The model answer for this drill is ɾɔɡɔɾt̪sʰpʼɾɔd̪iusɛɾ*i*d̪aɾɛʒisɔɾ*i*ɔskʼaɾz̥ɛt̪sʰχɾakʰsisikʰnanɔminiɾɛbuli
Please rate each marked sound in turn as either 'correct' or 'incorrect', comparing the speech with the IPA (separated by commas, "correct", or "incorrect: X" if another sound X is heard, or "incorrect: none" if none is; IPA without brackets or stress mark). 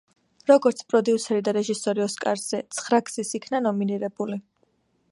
correct, correct